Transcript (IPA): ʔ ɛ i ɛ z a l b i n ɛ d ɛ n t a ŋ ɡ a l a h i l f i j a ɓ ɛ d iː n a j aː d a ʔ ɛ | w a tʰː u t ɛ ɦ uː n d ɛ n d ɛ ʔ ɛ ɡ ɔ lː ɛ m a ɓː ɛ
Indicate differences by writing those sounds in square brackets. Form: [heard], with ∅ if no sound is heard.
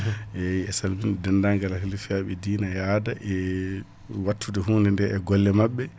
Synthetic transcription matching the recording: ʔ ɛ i ɛ [s] a l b i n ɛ d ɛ n [d] a ŋ ɡ a l a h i l f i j a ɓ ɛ d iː n a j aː d a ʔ ɛ | w a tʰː u [d] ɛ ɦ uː n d ɛ n d ɛ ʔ ɛ ɡ ɔ lː ɛ m a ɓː ɛ